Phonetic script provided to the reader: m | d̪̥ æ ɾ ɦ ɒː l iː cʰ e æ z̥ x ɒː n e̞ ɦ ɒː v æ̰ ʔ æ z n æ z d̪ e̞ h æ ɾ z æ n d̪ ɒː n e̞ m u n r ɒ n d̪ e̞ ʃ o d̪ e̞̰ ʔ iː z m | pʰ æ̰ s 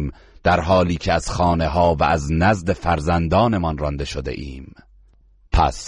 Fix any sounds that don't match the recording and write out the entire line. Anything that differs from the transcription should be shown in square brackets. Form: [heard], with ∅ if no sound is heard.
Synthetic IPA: m | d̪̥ æ ɾ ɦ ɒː l iː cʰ e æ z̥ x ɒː n e̞ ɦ ɒː v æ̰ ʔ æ z n æ z d̪ e̞ [f] æ ɾ z æ n d̪ ɒː n e̞ m [ɒ] n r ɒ n d̪ e̞ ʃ o d̪ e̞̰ ʔ iː [∅] m | pʰ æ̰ s